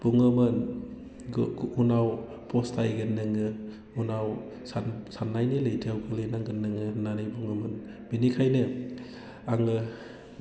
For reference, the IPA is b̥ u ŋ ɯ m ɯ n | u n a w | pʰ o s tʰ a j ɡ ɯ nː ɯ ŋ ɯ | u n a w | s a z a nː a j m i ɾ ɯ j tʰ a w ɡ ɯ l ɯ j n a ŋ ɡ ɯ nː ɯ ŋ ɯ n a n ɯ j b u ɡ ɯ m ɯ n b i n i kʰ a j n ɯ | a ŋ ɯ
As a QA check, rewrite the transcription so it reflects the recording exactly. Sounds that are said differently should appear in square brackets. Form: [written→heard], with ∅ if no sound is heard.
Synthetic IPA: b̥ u ŋ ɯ m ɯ n | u n a w | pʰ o s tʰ a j ɡ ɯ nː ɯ ŋ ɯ | u n a w | s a [z→s] a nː a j [m→n] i [ɾ→l] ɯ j tʰ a w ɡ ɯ l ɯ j n a ŋ ɡ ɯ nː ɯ ŋ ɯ n a n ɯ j b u [ɡ→ŋ] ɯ m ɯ n b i n i kʰ a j n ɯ | a ŋ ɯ